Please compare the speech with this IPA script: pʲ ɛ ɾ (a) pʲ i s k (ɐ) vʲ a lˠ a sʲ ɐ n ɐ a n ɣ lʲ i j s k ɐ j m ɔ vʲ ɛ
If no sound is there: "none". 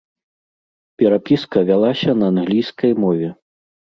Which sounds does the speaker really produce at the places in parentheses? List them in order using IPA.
a, ɐ

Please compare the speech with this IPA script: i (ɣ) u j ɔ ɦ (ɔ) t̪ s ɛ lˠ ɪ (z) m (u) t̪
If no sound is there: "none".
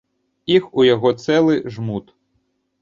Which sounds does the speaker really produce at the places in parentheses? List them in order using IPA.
x, ɔ, ʒ, u

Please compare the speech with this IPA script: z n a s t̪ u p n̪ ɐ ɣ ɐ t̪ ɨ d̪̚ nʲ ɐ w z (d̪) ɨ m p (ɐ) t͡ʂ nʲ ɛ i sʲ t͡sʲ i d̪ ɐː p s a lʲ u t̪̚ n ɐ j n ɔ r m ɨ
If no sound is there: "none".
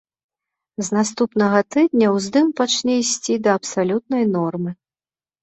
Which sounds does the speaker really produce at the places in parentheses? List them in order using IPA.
d̪, a

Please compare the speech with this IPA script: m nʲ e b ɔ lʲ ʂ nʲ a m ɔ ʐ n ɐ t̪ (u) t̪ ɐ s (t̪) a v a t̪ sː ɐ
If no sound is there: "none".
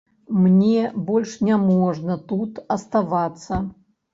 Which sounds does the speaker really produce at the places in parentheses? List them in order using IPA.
u, t̪

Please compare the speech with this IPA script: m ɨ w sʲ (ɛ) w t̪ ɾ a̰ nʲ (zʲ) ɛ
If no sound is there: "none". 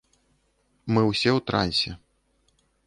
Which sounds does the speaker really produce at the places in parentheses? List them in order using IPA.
ɛ, sʲ

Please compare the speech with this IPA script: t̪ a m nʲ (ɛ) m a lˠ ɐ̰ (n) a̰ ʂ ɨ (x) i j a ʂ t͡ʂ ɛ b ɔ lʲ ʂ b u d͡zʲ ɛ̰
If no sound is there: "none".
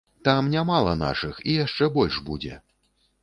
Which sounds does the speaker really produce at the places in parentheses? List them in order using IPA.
a, n, x

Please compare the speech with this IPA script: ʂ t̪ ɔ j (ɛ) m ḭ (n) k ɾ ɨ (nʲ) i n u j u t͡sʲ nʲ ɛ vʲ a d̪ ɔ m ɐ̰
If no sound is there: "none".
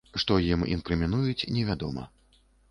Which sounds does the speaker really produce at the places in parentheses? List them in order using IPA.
i, n, mʲ

